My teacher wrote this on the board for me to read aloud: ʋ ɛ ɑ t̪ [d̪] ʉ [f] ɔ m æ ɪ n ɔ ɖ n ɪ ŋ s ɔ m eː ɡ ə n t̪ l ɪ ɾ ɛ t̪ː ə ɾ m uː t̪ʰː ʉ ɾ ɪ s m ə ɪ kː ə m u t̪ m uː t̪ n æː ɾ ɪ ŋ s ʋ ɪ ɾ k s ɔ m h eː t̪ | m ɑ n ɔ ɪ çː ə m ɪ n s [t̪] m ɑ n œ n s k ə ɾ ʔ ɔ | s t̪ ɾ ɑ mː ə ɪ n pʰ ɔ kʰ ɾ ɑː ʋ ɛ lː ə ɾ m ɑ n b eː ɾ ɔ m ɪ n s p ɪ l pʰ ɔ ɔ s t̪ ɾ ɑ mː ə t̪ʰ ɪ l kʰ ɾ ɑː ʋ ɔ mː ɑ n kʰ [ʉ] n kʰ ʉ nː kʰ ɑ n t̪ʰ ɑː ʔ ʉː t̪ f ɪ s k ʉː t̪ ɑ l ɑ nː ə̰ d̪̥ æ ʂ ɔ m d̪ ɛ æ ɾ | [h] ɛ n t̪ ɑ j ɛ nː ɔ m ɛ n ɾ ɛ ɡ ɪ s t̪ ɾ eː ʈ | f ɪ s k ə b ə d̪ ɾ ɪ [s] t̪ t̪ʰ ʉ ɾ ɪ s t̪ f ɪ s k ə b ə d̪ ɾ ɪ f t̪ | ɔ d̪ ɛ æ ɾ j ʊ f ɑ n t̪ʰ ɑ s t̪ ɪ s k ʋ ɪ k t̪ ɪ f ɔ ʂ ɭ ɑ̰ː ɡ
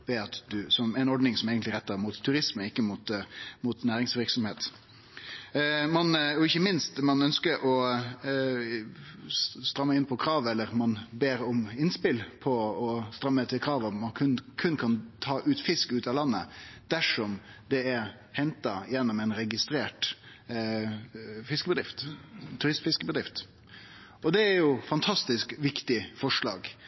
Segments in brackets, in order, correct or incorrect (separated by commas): correct, incorrect, correct, correct, correct, incorrect